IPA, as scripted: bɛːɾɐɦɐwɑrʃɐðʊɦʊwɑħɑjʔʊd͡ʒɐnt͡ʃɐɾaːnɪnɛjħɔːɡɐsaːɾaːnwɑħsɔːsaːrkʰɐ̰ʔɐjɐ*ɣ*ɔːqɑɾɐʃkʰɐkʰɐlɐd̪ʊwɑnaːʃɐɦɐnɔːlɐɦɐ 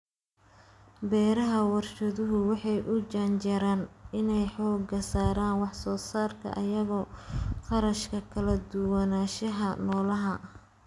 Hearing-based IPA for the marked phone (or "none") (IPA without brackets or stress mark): ɣ